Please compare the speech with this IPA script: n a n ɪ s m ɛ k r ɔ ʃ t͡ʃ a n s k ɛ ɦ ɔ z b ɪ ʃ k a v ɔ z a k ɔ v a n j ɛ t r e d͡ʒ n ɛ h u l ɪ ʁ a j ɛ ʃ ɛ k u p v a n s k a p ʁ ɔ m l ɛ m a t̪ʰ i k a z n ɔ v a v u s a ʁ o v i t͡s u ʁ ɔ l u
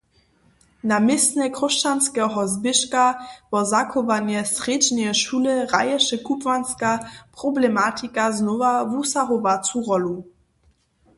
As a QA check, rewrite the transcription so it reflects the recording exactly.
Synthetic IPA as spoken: n a m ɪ s n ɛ k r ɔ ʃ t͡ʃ a n s k ɛ ɦ ɔ z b ɪ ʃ k a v ɔ z a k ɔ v a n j ɛ s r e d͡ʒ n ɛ ʃ u l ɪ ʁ a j ɛ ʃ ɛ k u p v a n s k a p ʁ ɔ b l ɛ m a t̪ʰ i k a z n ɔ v a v u s a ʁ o v a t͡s u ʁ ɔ l u